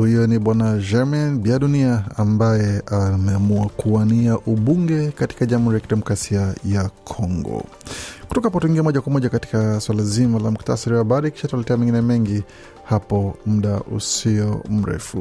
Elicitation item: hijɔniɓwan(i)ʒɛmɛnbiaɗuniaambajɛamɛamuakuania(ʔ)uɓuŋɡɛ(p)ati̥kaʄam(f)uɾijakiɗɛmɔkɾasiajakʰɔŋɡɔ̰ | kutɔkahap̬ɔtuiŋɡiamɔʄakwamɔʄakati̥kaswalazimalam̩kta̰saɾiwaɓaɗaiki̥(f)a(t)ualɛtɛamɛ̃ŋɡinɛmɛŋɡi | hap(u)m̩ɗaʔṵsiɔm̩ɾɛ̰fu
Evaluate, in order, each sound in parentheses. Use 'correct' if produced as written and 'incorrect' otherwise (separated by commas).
incorrect, correct, incorrect, incorrect, incorrect, correct, incorrect